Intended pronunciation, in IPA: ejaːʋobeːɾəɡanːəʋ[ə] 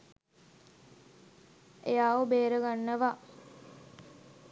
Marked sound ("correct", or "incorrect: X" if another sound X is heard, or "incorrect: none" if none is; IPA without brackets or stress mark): incorrect: a